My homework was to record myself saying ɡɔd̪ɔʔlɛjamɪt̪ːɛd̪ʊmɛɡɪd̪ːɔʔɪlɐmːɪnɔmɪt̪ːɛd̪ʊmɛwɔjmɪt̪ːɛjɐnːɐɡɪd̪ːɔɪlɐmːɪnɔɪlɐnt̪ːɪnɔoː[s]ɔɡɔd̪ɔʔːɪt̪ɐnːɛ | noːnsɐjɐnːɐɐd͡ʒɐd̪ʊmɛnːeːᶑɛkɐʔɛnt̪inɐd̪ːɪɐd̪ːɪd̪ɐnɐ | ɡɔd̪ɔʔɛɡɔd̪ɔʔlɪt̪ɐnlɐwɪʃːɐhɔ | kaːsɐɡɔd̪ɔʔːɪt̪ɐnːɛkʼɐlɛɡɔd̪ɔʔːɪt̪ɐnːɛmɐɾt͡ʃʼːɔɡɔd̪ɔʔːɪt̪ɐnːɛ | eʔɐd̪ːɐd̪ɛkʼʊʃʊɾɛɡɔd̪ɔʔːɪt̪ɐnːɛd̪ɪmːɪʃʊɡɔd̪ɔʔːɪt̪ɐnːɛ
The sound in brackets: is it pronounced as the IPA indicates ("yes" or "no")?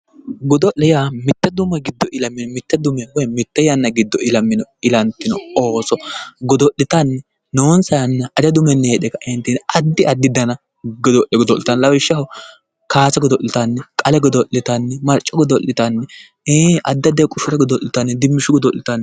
yes